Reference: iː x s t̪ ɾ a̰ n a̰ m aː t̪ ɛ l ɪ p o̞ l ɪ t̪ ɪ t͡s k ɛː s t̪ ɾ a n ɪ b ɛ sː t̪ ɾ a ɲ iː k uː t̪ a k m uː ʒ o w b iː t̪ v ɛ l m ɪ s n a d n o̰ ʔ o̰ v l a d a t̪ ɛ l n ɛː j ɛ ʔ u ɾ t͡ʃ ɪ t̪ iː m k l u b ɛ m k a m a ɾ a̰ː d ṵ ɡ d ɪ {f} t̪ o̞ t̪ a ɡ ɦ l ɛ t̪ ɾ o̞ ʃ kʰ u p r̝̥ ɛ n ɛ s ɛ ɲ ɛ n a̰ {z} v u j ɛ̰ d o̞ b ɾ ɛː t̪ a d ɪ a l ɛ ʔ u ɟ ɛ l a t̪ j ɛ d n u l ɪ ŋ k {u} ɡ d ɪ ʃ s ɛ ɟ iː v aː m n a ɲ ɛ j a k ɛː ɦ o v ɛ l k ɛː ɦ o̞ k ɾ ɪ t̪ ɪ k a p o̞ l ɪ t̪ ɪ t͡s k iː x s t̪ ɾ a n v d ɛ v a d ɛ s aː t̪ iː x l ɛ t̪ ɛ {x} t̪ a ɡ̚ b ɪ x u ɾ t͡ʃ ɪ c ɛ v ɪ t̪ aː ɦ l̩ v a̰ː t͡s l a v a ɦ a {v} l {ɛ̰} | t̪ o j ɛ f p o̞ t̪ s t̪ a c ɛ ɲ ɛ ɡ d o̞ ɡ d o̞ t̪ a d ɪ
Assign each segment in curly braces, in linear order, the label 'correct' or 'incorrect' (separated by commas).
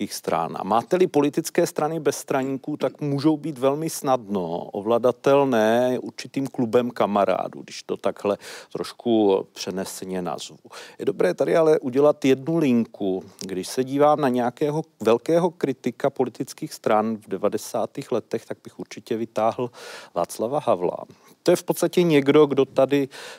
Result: incorrect, correct, correct, correct, correct, incorrect